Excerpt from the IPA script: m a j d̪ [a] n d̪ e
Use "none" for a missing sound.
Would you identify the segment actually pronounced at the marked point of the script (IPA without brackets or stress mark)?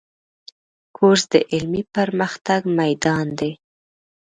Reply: ɑ